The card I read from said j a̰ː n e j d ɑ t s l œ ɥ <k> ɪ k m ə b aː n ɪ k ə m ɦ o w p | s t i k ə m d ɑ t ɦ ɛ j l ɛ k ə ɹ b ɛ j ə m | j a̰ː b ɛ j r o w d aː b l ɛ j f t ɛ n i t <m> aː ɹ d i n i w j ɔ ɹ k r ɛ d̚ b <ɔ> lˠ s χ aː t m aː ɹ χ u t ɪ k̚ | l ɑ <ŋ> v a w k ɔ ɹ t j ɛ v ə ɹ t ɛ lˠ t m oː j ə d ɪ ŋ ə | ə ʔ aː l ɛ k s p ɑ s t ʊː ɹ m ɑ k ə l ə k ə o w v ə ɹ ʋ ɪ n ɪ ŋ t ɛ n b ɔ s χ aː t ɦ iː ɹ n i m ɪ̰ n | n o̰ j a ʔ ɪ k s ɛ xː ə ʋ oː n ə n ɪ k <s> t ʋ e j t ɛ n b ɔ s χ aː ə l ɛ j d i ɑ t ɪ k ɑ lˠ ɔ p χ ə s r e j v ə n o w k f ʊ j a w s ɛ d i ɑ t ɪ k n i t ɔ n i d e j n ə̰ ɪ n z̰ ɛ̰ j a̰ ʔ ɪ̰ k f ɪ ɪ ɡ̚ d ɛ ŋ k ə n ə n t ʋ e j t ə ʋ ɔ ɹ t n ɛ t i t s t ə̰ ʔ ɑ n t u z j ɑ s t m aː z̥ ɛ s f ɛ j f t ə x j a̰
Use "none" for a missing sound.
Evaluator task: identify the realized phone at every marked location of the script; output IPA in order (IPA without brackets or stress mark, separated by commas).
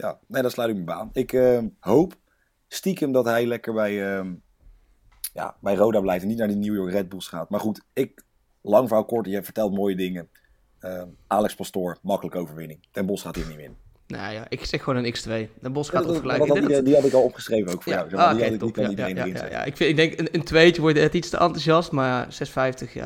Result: t, n, u, ŋ, s